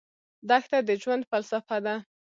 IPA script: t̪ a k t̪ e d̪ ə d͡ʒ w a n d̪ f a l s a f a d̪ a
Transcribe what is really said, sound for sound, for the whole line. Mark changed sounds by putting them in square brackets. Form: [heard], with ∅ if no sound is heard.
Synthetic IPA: [d̪] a [x] t̪ [a] d̪ ə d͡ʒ w a n d̪ f a l s a f a d̪ a